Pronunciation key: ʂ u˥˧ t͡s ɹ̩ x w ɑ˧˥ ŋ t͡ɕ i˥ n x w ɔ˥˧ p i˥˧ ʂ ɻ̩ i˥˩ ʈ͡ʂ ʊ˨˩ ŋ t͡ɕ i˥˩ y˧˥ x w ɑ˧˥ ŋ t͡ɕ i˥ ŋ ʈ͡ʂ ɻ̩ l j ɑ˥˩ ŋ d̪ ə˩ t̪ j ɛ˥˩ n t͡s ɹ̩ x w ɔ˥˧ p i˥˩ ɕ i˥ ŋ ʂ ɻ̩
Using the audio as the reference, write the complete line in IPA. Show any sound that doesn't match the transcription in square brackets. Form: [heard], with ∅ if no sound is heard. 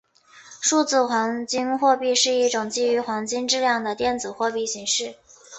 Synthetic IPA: ʂ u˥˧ t͡s ɹ̩ x w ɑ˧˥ ŋ t͡ɕ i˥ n x w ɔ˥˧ p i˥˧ ʂ ɻ̩ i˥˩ ʈ͡ʂ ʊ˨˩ ŋ t͡ɕ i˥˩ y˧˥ x w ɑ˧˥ ŋ t͡ɕ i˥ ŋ ʈ͡ʂ ɻ̩ l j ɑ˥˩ ŋ d̪ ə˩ t̪ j ɛ˥˩ n t͡s ɹ̩ x w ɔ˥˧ p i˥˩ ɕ [i˧˥] ŋ ʂ ɻ̩